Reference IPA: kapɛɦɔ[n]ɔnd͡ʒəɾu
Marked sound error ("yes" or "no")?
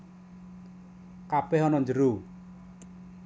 no